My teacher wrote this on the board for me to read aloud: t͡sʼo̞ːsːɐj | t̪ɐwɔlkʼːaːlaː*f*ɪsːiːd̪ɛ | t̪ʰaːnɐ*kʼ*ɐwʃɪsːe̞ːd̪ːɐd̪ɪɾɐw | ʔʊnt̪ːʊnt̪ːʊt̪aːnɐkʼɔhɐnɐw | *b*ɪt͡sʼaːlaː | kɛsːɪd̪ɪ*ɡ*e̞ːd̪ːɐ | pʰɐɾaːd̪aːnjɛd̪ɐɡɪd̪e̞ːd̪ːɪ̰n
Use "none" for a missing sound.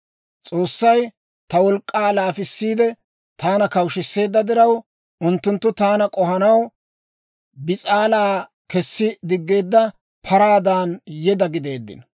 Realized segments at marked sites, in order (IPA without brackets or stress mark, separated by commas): f, k, b, ɡː